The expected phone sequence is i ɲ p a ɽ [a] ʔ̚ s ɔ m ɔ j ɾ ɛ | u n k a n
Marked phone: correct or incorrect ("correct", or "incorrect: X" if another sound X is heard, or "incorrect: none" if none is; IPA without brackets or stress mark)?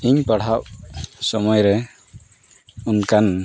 correct